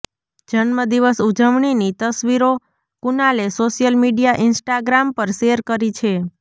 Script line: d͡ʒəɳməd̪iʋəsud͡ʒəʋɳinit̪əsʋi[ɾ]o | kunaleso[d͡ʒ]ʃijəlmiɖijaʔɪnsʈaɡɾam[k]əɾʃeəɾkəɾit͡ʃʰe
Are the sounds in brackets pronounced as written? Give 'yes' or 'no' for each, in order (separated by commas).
yes, no, no